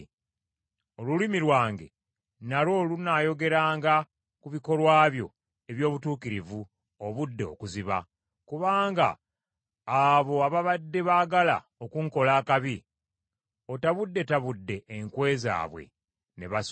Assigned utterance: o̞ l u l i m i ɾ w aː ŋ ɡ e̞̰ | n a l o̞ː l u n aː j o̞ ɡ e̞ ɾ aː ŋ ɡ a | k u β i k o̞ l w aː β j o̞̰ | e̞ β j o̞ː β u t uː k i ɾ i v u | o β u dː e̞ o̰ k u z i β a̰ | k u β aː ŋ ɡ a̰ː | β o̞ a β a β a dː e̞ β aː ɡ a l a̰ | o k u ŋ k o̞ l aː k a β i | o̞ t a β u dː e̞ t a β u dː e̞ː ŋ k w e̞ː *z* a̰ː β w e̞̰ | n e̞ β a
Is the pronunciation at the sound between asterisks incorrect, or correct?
correct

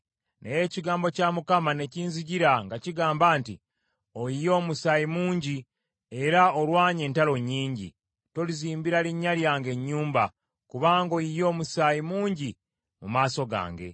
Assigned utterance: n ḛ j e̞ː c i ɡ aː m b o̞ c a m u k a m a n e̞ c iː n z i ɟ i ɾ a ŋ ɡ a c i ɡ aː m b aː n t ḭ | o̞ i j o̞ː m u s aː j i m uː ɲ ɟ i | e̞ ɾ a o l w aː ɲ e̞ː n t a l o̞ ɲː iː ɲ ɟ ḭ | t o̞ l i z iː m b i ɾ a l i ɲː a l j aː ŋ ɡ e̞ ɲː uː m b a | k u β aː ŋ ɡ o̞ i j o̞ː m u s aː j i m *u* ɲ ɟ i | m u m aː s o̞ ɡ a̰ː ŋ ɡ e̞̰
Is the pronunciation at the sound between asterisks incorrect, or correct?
incorrect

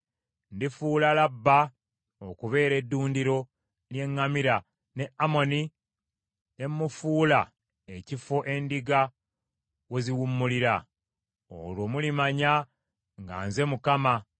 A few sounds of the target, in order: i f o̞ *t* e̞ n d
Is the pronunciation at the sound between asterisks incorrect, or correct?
incorrect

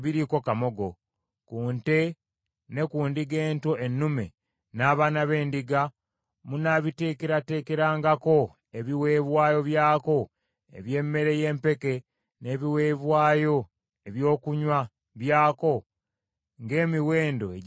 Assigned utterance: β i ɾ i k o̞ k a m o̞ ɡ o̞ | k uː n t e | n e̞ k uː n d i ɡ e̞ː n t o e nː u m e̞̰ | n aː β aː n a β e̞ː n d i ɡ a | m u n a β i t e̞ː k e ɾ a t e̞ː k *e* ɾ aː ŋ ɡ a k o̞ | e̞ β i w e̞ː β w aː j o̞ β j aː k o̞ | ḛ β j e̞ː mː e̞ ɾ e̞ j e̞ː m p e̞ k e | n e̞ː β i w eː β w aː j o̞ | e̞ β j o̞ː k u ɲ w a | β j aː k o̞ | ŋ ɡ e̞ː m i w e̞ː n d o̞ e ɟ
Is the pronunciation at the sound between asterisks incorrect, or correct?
correct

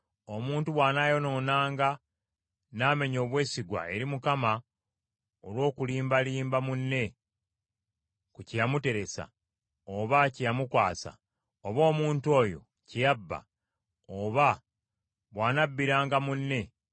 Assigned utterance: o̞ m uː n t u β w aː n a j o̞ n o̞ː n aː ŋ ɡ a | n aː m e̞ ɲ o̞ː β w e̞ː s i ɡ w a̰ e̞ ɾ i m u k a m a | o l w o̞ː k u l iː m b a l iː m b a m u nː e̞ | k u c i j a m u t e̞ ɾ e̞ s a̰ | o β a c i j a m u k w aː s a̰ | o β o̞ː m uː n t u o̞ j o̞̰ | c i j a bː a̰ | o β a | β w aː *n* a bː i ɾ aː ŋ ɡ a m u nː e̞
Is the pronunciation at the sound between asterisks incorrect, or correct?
correct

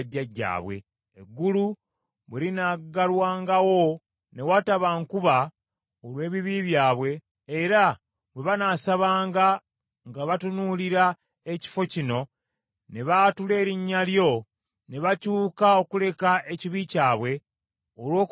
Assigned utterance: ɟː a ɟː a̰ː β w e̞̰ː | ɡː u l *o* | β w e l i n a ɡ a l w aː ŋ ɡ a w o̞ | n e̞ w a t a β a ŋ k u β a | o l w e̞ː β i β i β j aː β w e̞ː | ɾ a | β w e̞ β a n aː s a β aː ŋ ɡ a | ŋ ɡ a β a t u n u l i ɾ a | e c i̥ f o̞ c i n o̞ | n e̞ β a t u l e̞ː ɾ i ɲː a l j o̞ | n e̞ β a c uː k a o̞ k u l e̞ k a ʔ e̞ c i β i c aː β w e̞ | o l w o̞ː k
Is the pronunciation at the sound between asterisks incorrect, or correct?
incorrect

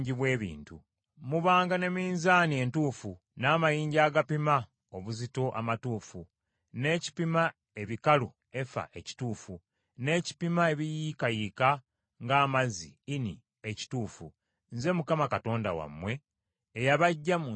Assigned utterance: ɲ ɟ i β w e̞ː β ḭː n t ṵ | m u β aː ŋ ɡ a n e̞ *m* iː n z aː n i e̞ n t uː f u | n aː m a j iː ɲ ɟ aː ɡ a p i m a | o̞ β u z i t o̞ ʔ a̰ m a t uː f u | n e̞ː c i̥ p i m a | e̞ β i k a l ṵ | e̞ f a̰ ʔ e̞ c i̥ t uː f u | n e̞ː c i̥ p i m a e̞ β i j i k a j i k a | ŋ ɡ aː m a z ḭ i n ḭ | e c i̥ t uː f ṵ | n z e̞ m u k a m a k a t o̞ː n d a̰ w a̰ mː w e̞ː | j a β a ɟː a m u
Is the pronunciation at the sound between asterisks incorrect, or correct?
correct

